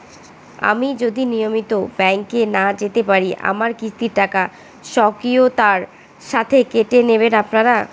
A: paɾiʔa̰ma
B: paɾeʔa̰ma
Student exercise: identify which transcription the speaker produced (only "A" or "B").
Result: A